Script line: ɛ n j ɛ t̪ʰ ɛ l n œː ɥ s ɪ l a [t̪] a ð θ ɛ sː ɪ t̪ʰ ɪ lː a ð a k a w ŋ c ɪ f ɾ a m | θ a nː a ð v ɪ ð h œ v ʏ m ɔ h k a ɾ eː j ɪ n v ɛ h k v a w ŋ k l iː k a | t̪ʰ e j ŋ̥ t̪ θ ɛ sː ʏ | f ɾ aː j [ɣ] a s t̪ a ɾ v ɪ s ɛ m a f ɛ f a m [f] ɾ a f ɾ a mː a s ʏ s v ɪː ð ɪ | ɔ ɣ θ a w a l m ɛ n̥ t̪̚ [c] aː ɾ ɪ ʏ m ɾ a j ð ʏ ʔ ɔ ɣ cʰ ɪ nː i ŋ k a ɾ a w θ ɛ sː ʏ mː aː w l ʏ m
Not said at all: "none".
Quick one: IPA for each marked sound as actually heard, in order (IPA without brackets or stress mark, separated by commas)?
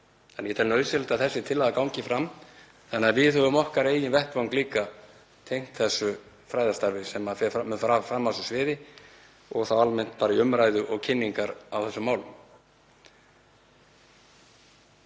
t̪, ð, f, p